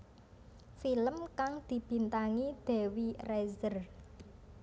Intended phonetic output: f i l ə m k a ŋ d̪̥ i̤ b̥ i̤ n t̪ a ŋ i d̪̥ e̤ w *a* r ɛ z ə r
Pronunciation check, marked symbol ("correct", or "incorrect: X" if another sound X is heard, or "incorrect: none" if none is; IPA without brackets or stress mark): incorrect: i